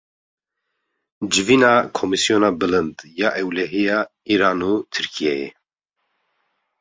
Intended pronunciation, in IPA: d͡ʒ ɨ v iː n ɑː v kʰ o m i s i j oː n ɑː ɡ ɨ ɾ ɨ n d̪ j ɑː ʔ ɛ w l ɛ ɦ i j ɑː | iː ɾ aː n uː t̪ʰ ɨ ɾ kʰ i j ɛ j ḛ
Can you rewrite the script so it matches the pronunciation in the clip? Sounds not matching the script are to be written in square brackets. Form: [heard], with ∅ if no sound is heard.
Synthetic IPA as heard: d͡ʒ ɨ v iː n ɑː [∅] kʰ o m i s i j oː n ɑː [b] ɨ [l] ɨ n d̪ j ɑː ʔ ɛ w l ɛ ɦ i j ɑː | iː ɾ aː n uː t̪ʰ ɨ ɾ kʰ i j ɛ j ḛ